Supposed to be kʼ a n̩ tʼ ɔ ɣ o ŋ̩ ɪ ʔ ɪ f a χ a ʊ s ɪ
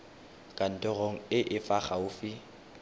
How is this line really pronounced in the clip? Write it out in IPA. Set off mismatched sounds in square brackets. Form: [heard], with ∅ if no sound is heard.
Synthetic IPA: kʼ a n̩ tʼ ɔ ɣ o ŋ̩ ɪ ʔ ɪ f a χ a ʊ [f] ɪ